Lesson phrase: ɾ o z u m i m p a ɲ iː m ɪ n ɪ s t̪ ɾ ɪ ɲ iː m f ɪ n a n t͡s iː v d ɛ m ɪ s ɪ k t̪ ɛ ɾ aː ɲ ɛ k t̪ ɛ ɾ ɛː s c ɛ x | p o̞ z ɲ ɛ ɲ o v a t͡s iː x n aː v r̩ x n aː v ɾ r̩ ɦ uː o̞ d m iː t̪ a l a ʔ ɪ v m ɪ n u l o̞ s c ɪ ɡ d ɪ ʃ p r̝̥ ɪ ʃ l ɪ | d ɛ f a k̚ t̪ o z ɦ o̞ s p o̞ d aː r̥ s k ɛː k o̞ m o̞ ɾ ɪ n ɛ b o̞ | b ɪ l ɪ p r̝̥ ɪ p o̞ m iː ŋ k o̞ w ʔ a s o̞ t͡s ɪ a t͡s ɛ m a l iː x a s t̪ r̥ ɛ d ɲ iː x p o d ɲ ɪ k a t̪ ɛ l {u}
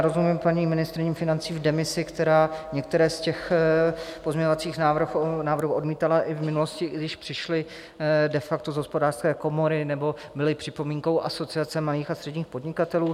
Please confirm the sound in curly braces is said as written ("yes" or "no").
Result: no